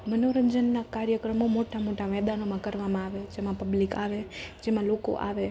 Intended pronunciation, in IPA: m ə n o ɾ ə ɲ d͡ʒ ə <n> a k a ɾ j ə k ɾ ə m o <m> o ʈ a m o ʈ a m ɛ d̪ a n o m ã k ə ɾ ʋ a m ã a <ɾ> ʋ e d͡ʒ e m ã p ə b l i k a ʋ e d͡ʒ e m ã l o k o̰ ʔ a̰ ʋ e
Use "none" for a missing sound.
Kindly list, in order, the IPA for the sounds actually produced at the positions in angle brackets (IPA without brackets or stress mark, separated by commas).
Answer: nː, m, none